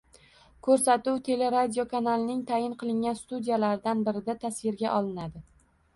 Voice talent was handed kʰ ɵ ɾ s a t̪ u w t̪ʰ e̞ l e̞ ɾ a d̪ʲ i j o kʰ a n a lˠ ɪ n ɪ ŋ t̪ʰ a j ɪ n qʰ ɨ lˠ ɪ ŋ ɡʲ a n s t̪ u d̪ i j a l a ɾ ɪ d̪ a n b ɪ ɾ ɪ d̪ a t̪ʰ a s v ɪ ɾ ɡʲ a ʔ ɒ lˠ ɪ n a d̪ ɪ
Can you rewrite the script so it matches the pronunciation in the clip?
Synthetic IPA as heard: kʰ ɵ ɾ s a t̪ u w t̪ʰ e̞ l e̞ ɾ a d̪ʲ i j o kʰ a n a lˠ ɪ n ɪ ŋ t̪ʰ a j ɪ n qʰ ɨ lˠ ɪ ŋ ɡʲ a n s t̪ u d̪ i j a l a ɾ ɪ d̪ a n b ɪ ɾ ɪ d̪ a t̪ʰ a s v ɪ ɾ ɡʲ a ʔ ɒ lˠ ɪ n a d̪ ɪ